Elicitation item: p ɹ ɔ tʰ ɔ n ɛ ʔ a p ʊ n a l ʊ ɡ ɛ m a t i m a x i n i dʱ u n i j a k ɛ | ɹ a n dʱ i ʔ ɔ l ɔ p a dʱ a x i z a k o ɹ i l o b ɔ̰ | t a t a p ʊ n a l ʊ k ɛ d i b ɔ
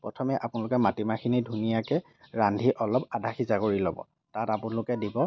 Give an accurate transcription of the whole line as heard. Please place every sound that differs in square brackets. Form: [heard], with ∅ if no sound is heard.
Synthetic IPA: p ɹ ɔ tʰ ɔ [m] ɛ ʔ a p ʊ n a l ʊ [k] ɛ m a t i m a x i n i dʱ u n i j a k ɛ | ɹ a n dʱ i ʔ ɔ l ɔ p a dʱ a x i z a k o ɹ i l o b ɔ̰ | t a t a p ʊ n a l ʊ k ɛ d i b ɔ